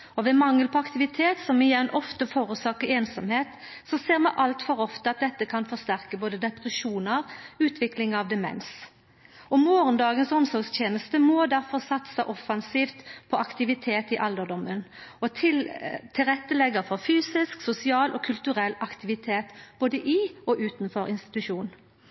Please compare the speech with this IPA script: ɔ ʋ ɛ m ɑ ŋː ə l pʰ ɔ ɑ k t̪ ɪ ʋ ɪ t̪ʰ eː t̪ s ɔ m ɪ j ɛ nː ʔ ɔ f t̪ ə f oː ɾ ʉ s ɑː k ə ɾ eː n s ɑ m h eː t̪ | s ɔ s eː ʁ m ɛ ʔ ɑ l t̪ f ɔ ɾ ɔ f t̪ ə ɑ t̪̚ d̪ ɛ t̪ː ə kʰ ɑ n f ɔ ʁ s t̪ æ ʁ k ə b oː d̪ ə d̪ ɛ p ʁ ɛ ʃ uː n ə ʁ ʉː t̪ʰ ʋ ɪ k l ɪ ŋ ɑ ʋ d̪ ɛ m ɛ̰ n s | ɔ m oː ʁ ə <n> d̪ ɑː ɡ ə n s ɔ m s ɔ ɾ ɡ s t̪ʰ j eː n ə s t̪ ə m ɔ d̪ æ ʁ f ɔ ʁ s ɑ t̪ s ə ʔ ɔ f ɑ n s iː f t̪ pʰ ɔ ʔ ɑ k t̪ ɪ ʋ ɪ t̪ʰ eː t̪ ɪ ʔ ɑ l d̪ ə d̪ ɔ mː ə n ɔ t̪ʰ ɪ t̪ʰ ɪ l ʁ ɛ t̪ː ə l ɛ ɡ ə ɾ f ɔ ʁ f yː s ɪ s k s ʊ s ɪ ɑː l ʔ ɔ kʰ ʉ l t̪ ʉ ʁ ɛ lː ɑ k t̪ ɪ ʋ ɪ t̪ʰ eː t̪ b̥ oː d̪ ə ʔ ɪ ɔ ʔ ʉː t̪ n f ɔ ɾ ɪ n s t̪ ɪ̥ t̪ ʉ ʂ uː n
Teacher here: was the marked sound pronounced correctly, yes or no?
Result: yes